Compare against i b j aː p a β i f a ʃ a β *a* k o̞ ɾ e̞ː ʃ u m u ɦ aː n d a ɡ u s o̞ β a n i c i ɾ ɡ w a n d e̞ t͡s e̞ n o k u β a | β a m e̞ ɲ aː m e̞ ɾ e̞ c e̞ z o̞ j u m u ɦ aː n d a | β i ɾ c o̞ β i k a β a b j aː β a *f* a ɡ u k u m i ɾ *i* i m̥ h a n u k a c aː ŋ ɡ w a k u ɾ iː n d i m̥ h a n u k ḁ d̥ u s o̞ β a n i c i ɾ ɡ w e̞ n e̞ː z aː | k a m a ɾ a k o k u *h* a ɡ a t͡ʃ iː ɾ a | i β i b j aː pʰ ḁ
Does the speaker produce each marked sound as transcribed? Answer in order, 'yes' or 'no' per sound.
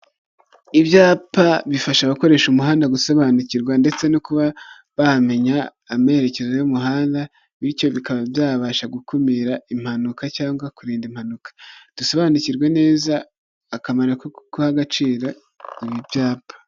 yes, no, no, yes

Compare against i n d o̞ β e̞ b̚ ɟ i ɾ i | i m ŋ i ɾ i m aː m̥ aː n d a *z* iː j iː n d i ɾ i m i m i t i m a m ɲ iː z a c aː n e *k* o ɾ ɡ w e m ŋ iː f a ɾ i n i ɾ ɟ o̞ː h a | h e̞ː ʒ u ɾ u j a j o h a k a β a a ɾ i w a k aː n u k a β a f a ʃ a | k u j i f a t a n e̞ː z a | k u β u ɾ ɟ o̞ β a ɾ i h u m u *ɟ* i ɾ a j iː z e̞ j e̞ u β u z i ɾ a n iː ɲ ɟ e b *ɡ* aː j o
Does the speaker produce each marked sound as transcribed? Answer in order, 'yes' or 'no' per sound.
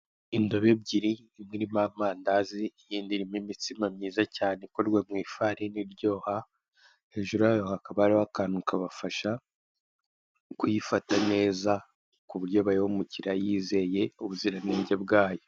yes, yes, no, yes

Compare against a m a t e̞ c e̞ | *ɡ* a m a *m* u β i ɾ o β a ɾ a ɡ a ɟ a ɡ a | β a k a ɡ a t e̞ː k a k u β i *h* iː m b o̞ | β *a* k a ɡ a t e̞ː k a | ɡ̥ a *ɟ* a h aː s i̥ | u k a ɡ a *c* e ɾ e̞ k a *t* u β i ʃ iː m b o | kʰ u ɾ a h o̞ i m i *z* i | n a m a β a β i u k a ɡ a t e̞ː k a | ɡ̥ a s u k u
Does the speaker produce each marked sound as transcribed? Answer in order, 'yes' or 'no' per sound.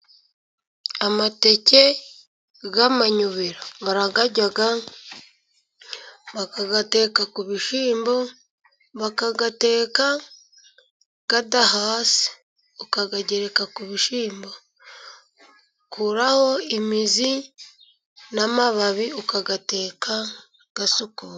yes, no, no, yes, no, no, no, yes

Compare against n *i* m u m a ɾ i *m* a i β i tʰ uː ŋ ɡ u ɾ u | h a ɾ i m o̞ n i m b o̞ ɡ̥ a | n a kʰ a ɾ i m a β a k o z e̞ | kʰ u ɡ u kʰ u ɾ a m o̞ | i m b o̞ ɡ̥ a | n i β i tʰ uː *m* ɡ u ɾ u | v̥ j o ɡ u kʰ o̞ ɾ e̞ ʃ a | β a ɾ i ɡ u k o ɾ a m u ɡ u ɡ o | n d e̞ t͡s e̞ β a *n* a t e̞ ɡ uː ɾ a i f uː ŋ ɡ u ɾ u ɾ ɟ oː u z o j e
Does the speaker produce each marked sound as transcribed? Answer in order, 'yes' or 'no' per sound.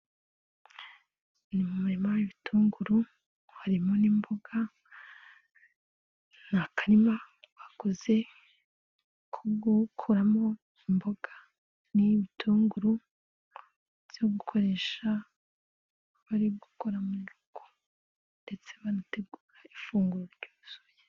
yes, yes, no, yes

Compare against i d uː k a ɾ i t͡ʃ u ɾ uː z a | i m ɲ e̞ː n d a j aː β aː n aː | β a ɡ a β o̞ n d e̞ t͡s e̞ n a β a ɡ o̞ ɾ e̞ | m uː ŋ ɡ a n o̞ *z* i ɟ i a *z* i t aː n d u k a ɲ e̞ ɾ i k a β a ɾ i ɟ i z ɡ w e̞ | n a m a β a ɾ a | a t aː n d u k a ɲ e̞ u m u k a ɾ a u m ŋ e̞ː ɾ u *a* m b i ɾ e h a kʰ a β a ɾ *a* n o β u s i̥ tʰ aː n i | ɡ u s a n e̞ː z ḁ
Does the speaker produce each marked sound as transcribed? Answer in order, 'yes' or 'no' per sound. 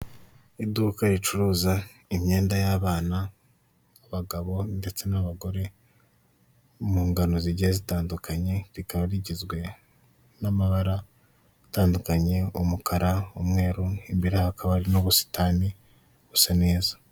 yes, yes, no, no

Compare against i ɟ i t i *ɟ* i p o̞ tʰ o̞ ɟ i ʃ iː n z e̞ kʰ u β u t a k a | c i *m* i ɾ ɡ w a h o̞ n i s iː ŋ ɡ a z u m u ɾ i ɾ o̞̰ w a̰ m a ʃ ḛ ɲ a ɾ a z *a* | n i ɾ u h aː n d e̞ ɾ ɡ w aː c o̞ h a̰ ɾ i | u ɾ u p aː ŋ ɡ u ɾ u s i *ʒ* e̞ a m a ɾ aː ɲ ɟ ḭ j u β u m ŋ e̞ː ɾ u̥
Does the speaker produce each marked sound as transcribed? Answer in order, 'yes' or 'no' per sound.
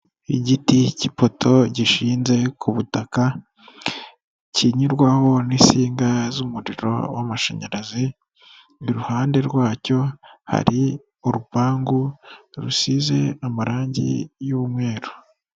no, no, no, no

